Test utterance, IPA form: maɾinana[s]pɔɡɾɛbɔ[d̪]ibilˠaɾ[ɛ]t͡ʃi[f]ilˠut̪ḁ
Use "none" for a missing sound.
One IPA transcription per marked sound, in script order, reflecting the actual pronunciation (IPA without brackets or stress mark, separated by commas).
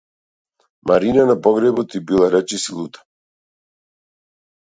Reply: none, t̪, ɛ, s